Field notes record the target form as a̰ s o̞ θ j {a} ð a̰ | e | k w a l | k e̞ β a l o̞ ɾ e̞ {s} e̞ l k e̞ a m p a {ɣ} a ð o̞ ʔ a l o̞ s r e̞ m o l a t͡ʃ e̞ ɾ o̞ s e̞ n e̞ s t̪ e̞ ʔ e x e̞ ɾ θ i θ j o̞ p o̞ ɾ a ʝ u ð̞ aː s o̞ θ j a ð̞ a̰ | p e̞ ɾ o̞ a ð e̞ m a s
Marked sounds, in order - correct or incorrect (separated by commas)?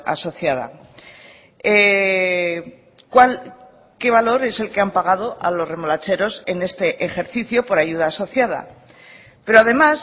correct, correct, correct